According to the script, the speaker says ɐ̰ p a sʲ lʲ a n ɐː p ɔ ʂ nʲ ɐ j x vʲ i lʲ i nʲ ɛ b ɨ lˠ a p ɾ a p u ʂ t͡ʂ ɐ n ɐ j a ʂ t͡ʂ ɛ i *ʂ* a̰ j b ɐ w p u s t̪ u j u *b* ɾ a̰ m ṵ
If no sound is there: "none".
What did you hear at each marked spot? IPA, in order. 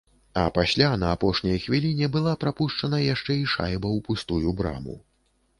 ʂ, b

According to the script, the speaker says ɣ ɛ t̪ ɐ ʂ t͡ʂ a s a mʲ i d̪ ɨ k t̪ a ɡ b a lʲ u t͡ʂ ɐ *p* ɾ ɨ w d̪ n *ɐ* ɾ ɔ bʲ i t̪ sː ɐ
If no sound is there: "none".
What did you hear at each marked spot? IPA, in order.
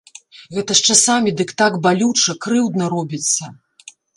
k, ɐ

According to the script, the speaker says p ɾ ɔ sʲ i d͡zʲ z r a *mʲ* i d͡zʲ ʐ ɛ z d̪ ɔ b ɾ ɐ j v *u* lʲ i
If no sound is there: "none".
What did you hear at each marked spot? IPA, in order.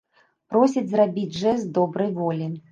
bʲ, ɔ

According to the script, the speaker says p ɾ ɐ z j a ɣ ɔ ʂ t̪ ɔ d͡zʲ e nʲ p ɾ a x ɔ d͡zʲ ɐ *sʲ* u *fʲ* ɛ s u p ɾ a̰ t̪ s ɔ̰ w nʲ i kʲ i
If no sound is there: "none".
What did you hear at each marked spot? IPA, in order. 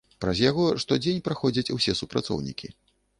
t͡sʲ, sʲ

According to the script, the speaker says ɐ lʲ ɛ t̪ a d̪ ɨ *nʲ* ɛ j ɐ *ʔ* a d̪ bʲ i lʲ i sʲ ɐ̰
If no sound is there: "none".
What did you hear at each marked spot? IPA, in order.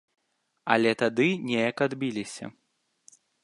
nʲ, k

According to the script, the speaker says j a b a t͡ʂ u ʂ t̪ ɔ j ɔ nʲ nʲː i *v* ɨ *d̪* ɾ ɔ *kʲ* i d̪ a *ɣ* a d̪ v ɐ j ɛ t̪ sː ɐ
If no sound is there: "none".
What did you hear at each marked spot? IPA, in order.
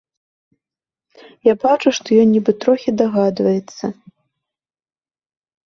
b, t̪, xʲ, ɣ

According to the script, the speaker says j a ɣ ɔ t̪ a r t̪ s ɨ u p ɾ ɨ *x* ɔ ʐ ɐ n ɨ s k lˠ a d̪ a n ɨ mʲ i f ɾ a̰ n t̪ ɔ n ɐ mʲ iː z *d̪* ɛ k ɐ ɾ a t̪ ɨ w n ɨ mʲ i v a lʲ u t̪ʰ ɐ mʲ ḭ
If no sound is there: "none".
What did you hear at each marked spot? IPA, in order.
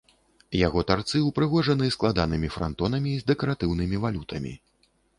ɣ, d̪

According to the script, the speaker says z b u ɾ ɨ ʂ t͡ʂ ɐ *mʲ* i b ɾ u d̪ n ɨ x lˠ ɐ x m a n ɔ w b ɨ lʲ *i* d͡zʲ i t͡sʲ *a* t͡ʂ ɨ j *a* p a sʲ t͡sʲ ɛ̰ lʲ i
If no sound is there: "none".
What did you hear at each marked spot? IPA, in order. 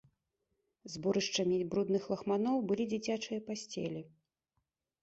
mʲ, i, a, ɐ

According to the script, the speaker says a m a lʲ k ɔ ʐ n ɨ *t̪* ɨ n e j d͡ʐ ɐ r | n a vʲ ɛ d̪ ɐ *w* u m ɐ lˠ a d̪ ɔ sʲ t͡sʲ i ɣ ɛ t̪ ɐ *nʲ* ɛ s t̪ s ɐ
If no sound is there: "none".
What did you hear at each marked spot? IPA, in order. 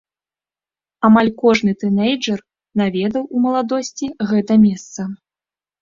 t̪, w, mʲ

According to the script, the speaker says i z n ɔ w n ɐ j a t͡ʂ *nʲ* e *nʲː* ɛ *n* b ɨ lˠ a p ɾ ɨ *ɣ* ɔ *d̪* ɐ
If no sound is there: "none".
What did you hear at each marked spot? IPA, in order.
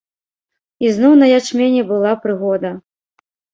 mʲ, nʲ, none, ɣ, d̪

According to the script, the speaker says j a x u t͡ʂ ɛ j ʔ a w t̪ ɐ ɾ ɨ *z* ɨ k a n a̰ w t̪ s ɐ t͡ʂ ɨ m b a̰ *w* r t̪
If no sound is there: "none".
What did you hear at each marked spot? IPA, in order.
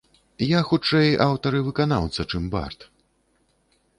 v, none

